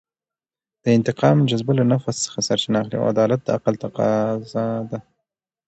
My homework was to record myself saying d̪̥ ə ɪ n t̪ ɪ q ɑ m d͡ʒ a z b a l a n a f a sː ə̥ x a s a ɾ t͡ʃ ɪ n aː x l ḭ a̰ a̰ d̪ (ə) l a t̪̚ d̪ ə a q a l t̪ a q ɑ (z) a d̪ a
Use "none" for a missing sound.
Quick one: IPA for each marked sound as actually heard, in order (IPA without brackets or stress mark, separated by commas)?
ɑ, z